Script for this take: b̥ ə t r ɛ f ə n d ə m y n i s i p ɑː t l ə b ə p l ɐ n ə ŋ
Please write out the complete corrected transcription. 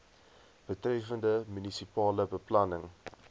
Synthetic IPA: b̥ ə t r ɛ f ə n d ə m y n i s i p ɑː l ə b ə p l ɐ n ə ŋ